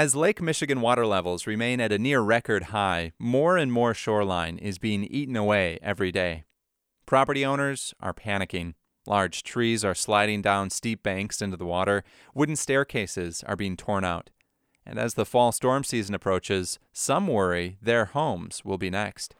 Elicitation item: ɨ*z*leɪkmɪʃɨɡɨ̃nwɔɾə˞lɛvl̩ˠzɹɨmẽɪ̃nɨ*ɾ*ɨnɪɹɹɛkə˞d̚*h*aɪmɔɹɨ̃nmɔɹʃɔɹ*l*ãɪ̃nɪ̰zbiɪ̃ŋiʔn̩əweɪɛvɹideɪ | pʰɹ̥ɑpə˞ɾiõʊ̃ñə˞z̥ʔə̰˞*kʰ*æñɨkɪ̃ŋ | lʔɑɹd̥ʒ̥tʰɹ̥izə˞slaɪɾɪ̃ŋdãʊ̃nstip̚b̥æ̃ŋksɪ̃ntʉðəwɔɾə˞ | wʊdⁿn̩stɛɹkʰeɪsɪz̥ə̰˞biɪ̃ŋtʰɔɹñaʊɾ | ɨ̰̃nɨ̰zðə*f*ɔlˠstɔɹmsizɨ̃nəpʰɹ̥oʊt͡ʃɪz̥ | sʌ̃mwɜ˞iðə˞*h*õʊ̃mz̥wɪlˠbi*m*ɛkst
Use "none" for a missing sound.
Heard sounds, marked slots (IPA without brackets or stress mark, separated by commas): z, ɾ, h, l, pʰ, f, h, n